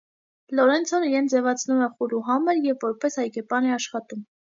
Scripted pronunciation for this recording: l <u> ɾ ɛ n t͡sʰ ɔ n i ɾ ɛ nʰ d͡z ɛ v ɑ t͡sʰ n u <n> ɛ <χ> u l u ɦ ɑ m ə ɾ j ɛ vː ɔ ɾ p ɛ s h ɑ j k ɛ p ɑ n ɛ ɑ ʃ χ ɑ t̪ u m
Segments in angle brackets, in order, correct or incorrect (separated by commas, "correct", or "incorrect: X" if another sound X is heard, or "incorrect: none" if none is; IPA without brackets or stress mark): incorrect: ɔ, incorrect: m, correct